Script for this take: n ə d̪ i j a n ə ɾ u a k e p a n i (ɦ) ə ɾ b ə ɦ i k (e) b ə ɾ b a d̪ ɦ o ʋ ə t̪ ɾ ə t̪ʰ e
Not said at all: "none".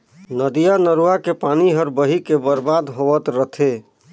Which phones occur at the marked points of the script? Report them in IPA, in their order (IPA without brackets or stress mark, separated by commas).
ɦ, e